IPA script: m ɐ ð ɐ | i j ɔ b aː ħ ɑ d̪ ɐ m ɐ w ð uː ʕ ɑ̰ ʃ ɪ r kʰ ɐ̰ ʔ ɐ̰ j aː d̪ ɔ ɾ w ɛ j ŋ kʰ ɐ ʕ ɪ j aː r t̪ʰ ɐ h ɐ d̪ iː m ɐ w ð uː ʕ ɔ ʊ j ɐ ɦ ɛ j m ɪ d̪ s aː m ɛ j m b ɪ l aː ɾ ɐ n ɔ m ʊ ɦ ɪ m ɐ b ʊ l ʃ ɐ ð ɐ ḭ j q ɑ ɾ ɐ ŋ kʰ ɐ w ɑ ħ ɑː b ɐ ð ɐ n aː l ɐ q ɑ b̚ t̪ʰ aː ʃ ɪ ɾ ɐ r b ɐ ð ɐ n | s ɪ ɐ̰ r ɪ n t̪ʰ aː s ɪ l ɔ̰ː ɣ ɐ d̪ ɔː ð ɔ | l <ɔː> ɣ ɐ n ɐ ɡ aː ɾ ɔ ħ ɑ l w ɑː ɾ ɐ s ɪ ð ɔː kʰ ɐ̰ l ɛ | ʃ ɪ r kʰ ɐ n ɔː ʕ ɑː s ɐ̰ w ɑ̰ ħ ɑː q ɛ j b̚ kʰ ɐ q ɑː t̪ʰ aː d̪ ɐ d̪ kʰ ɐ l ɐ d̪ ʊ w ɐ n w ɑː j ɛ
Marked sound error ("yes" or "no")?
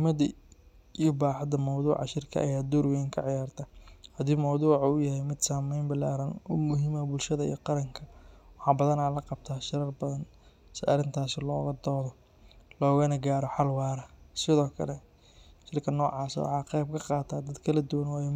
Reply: no